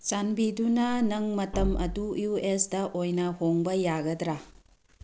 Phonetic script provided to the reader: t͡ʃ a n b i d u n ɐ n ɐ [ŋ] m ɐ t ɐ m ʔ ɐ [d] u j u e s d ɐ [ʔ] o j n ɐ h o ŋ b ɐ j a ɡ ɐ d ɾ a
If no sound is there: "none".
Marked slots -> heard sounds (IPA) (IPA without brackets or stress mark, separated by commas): ŋ, d, ʔ